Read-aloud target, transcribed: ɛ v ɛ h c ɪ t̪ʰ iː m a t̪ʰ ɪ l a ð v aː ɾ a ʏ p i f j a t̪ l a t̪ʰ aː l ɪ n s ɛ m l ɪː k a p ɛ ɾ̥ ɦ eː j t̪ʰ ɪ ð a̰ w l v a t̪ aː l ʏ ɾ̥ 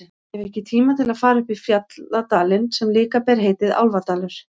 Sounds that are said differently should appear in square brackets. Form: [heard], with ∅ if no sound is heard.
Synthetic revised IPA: ɛ v ɛ h c ɪ t̪ʰ iː m a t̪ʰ ɪ l a ð [f] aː ɾ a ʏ p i f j a t̪ l a [t̪] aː l ɪ n s ɛ m l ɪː k a p ɛ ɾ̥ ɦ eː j [t̪] ɪ ð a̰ w l v a t̪ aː l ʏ ɾ̥